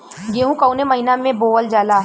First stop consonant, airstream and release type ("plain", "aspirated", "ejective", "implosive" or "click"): plain